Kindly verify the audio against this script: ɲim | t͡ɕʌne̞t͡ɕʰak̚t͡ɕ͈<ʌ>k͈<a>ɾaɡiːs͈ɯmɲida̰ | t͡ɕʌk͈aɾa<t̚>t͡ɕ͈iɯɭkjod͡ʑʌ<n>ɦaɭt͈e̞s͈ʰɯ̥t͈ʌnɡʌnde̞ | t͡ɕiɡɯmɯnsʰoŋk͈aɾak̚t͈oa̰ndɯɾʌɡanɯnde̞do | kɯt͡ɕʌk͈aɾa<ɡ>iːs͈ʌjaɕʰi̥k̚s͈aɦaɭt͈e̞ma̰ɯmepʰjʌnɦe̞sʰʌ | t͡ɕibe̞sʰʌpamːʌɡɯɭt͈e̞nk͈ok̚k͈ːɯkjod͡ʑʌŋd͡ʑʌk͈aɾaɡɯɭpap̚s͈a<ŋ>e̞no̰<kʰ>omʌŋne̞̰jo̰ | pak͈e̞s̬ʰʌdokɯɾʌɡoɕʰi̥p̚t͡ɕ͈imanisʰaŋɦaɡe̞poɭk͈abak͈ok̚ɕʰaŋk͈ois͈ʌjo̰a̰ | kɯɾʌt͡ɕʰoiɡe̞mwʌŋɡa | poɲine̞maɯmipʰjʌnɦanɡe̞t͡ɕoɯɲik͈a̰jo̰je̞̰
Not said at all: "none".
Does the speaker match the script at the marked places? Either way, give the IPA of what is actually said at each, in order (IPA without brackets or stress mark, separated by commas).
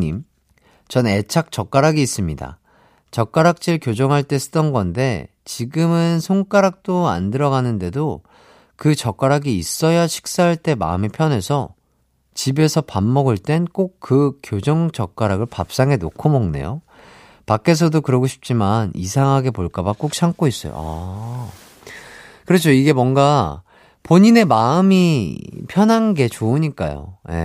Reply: ʌ, a, k̚, ŋ, ɡ, ŋ, kʰ